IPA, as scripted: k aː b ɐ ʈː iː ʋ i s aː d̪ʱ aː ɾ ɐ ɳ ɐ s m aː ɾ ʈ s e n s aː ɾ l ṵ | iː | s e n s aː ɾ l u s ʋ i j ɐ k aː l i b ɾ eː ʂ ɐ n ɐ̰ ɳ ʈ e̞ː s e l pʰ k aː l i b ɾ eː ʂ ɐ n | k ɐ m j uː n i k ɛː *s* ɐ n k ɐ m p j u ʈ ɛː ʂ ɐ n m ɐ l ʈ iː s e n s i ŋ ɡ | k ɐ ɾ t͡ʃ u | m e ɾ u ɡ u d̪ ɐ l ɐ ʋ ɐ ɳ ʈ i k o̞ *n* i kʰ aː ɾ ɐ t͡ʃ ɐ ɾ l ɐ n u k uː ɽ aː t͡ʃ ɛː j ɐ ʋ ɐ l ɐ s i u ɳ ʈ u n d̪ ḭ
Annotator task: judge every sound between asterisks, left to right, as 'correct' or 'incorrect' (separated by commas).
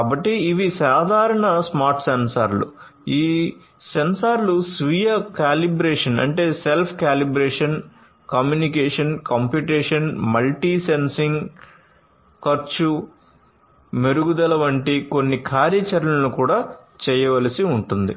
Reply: incorrect, incorrect